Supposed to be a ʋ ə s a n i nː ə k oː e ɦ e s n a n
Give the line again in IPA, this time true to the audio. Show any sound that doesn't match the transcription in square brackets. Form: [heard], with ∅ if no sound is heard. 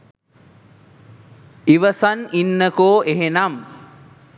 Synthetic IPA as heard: [i] ʋ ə s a n i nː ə k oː e ɦ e [∅] n a [m]